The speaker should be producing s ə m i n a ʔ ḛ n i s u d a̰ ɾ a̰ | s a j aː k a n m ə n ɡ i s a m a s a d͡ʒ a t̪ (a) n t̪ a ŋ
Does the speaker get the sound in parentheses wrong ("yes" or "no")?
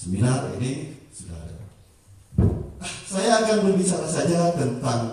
yes